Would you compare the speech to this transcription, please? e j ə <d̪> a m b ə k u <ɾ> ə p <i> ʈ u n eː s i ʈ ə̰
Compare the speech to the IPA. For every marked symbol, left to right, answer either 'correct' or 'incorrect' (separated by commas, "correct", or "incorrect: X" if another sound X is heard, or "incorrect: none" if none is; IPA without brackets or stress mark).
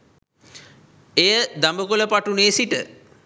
correct, incorrect: l, incorrect: a